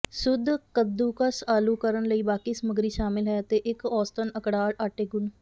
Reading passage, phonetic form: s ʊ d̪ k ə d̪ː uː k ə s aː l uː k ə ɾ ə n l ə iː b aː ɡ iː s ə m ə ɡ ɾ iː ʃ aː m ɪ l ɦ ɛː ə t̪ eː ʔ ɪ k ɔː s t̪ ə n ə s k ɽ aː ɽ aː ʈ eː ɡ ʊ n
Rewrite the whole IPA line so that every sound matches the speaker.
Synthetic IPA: s ʊ d̪ k ə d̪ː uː k ə s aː l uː k ə ɾ ə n l ə iː b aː k iː s ə m ə ɡ ɾ iː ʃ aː m ɪ l ɦ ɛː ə t̪ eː ʔ ɪ k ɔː s t̪ ə n ə k ɽ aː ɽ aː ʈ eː ɡ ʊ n